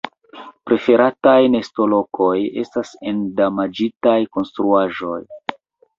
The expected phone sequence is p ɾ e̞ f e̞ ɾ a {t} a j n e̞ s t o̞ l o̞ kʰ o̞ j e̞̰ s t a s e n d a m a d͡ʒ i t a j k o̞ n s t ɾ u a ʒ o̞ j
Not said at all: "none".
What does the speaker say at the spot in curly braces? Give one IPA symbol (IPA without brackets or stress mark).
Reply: t